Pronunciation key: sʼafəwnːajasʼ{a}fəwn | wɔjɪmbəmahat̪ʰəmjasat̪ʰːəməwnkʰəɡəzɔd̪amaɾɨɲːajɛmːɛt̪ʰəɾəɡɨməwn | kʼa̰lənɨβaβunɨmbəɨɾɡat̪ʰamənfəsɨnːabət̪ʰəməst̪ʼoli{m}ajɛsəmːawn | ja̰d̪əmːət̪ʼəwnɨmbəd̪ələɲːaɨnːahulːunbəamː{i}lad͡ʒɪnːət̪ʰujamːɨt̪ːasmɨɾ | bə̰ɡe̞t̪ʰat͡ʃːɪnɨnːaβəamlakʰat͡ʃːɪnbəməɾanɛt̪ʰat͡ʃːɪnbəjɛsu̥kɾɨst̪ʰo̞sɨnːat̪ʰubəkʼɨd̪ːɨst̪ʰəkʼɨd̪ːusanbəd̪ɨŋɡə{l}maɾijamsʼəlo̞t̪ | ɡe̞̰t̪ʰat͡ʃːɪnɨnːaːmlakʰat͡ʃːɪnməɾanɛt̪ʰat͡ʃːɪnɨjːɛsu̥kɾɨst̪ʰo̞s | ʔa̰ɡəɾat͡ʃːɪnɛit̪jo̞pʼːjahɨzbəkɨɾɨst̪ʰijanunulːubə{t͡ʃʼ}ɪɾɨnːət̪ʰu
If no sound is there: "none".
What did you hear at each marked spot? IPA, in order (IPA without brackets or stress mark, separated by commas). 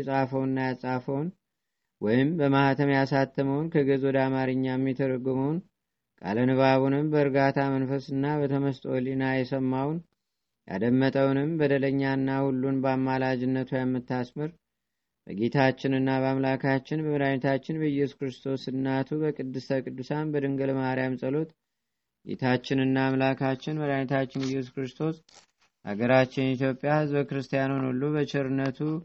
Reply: a, n, a, l, t͡ʃ